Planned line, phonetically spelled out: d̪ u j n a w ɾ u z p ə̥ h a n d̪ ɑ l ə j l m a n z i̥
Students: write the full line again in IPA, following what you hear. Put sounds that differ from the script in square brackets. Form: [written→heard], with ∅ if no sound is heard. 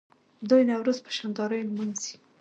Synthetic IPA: d̪ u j n a w ɾ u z p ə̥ [h→ʃ] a n d̪ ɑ [l→ɾ] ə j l m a n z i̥